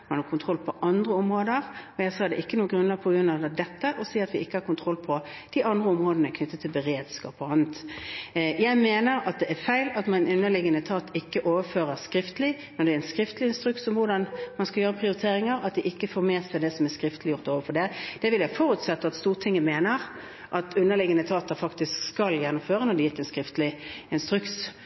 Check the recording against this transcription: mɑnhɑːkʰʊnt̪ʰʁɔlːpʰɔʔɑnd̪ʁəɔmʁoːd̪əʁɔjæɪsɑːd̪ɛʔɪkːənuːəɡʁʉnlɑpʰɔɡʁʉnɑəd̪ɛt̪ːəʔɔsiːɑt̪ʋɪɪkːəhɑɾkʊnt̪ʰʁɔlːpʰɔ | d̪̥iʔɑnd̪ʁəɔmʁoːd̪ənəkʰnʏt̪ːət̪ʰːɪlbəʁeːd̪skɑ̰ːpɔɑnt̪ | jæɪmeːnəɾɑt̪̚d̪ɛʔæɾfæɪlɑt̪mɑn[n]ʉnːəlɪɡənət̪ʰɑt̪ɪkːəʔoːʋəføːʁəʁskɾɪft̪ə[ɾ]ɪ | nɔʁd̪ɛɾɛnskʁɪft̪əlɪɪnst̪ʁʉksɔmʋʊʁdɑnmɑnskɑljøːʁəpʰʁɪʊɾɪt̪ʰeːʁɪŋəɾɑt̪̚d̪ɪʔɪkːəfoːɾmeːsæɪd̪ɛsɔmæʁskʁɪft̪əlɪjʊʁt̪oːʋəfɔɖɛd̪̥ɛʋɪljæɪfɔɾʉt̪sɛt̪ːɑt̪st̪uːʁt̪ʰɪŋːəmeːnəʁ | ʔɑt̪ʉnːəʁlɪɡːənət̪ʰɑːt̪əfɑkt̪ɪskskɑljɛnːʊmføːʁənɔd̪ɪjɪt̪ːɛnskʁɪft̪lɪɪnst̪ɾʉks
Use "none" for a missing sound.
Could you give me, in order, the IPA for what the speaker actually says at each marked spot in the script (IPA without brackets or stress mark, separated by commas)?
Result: n, l